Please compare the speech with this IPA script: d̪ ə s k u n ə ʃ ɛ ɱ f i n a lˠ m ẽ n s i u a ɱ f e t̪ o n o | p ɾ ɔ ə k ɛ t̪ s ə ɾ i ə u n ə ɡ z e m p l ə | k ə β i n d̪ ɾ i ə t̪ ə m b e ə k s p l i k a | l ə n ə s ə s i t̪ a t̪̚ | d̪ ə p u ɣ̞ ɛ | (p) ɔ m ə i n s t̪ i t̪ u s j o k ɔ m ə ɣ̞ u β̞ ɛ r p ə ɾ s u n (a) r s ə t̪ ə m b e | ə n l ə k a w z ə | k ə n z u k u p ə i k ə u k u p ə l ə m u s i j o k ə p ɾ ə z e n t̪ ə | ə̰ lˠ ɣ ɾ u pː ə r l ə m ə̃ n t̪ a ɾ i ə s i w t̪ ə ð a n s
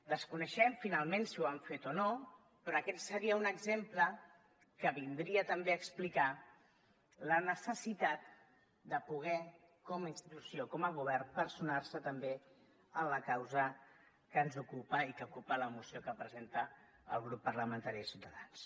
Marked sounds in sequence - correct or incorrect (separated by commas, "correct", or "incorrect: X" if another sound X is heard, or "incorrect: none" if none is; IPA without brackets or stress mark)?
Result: incorrect: k, correct